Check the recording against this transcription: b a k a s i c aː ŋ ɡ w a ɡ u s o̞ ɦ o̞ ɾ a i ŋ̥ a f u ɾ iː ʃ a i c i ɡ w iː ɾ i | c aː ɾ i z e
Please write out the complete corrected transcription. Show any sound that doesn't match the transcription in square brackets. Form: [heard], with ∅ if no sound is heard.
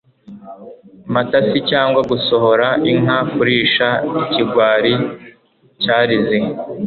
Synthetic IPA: [m] a [t] a s i c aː ŋ ɡ w a ɡ u s o̞ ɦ o̞ ɾ a i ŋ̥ a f u ɾ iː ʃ a i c i ɡ w [aː] ɾ i | c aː ɾ i z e